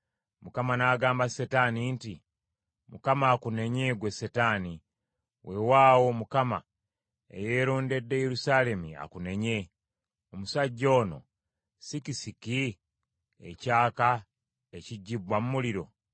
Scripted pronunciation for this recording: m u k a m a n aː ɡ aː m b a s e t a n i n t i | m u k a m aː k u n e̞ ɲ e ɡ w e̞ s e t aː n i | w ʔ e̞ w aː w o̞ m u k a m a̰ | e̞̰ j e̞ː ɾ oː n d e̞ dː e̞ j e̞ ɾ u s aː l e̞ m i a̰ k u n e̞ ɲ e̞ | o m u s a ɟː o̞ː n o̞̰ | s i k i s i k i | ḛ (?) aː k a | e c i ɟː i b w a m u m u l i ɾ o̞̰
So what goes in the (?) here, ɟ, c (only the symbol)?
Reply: c